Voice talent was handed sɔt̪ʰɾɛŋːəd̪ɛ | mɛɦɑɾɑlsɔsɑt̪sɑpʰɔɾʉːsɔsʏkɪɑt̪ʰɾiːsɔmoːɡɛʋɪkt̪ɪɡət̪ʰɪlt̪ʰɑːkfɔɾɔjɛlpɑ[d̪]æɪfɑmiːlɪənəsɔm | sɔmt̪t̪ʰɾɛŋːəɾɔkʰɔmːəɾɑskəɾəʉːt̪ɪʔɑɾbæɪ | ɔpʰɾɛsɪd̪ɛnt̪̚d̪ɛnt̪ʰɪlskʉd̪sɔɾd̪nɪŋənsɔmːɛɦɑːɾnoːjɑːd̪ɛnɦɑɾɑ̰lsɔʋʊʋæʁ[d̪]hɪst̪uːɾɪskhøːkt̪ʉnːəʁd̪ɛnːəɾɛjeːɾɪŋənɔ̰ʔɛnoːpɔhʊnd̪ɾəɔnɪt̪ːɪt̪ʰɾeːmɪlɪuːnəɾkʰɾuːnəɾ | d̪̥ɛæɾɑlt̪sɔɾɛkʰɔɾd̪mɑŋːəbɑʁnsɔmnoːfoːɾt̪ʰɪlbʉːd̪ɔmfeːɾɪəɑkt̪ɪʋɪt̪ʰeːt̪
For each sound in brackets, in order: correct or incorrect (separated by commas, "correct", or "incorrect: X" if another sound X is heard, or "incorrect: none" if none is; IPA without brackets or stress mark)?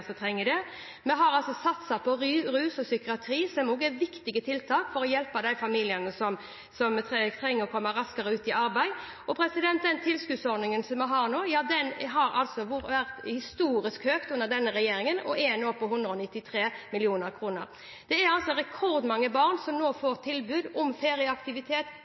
correct, incorrect: t̪